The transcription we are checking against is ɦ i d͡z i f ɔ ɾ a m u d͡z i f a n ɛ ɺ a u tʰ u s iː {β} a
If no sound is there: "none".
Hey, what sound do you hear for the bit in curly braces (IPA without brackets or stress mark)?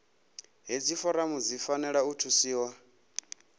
w